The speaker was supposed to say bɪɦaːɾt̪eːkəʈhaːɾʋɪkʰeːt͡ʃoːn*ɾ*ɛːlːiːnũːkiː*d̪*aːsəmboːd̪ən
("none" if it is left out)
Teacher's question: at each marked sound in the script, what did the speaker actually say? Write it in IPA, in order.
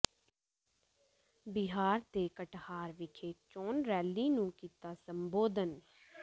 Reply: ɾ, t̪

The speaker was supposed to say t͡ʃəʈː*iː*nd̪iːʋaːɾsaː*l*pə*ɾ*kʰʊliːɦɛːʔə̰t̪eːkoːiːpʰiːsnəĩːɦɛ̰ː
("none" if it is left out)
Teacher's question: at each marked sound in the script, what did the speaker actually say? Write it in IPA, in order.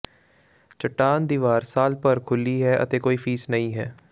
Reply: aː, l, ɾ

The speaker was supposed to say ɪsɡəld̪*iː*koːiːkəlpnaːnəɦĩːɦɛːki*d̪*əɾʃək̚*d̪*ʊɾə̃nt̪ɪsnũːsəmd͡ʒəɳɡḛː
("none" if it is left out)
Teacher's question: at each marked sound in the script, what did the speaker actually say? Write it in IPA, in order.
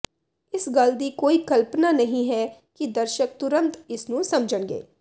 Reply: iː, d̪, t̪

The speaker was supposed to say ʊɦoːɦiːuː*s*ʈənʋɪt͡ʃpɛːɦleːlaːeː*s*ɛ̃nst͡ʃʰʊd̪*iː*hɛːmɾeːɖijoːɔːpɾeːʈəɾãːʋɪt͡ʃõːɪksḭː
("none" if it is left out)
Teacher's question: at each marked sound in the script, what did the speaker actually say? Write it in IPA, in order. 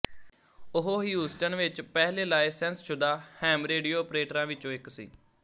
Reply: s, s, aː

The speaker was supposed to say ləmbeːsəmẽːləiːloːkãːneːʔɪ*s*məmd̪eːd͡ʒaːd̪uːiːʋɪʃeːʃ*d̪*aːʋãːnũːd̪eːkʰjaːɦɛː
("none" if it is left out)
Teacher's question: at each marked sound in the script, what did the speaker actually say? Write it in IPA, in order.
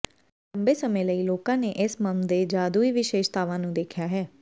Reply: s, t̪

